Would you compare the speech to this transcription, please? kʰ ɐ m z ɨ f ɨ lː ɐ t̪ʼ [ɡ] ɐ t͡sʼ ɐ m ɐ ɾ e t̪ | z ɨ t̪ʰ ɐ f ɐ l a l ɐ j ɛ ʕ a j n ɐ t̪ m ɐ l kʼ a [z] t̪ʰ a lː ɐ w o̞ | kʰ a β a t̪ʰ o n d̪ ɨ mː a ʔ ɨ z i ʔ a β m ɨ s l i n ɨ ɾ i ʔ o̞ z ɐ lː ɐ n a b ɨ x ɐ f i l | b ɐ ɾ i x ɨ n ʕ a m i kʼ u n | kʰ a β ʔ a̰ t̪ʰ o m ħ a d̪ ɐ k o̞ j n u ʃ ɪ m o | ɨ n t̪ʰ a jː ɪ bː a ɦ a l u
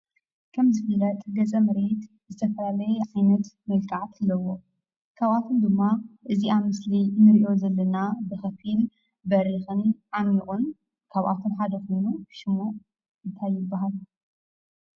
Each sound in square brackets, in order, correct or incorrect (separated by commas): correct, incorrect